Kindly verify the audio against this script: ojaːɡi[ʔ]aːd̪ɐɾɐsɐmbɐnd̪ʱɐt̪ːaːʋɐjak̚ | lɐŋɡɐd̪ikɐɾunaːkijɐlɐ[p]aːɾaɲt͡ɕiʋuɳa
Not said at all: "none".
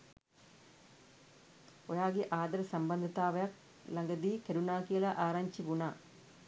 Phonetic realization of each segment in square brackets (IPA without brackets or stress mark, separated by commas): ʔ, ʔ